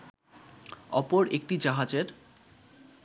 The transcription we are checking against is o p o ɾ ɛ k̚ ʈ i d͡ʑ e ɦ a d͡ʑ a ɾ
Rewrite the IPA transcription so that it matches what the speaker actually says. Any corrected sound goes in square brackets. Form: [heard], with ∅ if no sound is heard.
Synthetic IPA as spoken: [ɔ] p o ɾ [e] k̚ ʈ i d͡ʑ [a] ɦ a d͡ʑ [e] ɾ